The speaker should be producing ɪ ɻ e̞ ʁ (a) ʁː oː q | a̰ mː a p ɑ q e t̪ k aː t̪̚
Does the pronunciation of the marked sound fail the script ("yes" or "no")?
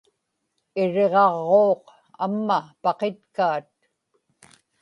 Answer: yes